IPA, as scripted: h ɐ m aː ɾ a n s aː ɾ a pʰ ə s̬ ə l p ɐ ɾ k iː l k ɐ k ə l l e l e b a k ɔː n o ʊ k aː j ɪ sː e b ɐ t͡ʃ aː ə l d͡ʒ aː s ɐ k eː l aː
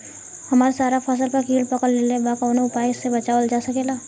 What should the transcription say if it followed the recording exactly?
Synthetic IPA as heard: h ɐ m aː ɾ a s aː ɾ a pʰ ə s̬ ə l p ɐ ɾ k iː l p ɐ k ə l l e l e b a k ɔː n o ʊ p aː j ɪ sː e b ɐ t͡ʃ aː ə l d͡ʒ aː s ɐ k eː l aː